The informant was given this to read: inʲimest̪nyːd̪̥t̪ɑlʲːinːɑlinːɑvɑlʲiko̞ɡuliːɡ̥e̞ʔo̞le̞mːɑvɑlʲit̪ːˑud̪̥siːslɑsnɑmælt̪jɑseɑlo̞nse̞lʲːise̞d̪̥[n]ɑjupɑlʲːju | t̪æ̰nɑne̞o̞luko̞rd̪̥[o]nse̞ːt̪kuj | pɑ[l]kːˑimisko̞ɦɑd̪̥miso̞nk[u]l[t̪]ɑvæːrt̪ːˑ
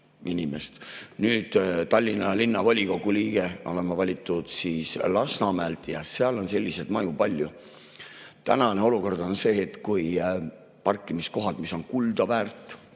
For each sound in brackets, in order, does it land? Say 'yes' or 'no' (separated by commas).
no, yes, no, yes, no